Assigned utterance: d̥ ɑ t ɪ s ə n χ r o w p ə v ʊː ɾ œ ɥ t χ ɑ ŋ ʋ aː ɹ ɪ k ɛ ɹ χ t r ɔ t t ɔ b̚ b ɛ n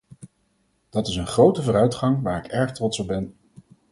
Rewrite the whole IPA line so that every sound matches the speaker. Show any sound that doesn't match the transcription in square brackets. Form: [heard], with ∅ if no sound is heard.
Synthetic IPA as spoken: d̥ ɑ t ɪ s ə n χ r o w [t] ə v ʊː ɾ œ ɥ t χ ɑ ŋ ʋ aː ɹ ɪ k ɛ ɹ χ t r ɔ t [s] ɔ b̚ b ɛ n